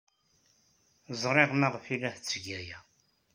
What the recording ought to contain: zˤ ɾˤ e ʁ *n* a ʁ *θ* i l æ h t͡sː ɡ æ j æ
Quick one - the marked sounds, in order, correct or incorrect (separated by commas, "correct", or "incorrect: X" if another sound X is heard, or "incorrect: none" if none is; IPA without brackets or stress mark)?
incorrect: m, incorrect: f